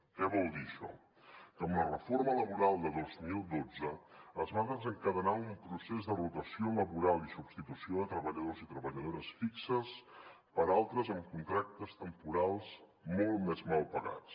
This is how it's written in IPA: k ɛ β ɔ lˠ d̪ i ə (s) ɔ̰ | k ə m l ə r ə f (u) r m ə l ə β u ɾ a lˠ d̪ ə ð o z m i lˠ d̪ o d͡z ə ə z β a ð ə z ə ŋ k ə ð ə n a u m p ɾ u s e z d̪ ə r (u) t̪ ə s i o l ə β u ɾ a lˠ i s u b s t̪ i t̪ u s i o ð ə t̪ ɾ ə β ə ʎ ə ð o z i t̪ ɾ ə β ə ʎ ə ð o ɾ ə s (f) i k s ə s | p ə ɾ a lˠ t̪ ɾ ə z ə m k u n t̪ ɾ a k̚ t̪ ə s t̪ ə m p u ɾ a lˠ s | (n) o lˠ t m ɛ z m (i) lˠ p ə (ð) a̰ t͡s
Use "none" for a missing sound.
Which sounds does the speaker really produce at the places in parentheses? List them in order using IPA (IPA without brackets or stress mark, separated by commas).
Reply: ʃ, o, u, f, m, a, ɣ